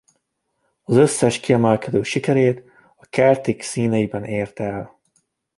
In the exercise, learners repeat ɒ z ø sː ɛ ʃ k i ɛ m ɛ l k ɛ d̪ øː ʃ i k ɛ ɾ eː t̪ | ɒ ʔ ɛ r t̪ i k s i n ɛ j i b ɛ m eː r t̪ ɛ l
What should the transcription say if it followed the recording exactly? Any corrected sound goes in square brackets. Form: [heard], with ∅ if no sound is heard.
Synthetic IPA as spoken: ɒ z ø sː ɛ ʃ k i ɛ m ɛ l k ɛ d̪ øː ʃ i k ɛ ɾ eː t̪ | ɒ [k] ɛ r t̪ i k s [iː] n ɛ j i b ɛ [n] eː r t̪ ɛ l